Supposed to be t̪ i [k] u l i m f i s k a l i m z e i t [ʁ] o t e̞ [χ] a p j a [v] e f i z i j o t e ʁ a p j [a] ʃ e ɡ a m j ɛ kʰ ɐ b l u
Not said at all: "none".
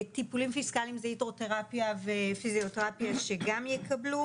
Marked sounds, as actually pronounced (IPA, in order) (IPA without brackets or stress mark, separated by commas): p, ʁ, ʁ, v, a